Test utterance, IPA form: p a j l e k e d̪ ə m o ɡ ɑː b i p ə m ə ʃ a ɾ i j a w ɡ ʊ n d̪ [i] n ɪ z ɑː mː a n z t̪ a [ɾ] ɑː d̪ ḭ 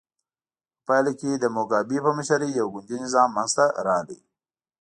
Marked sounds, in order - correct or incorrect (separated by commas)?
correct, correct